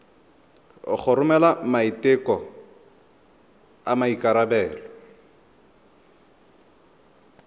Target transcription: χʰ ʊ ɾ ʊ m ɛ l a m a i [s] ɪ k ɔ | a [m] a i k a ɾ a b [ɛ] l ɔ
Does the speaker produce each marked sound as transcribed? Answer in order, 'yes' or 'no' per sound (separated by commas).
no, yes, no